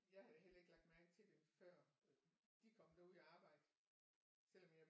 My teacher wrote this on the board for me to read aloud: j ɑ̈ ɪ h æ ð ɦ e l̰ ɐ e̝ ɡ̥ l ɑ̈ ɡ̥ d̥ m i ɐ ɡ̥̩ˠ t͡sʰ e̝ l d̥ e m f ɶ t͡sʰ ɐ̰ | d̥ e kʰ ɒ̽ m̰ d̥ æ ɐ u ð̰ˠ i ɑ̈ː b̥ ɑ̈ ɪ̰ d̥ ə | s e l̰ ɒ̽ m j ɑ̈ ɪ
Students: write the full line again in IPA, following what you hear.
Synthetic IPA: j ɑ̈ ɪ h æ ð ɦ e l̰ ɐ e̝ ɡ̥ l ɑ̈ ɡ̥ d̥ m æ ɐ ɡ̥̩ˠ t͡sʰ e̝ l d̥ e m f ɶ ɐ̰ | d̥ i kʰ ɒ̽ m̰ d̥ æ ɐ u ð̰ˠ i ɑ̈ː b̥ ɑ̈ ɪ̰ d̥ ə | s e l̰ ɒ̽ m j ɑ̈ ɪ